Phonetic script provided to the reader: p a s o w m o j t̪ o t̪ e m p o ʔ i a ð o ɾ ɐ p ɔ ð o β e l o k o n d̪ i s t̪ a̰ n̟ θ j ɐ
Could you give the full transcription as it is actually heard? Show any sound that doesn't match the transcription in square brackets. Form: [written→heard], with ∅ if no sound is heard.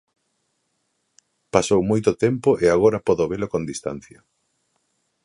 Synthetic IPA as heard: p a s o w m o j t̪ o t̪ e m p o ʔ [i→e] a [ð→ɣ] o ɾ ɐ p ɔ ð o β e l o k o n d̪ i s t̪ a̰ n̟ θ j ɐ